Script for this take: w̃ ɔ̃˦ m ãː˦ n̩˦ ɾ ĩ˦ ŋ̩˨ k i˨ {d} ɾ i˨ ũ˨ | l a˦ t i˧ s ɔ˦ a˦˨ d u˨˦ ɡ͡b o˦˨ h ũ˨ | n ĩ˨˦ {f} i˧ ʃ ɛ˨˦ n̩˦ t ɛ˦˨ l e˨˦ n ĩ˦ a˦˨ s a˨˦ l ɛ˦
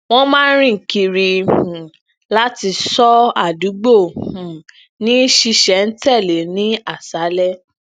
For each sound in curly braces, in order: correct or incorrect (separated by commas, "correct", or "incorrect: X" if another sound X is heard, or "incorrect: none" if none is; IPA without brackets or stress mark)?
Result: incorrect: none, incorrect: ʃ